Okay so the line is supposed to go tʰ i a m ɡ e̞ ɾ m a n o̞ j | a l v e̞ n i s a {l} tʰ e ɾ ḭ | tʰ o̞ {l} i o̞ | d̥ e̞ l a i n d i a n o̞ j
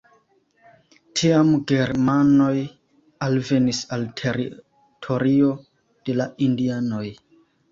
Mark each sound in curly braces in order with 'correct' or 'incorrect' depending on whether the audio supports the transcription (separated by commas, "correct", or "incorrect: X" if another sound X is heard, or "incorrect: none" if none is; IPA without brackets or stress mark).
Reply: correct, incorrect: ɾ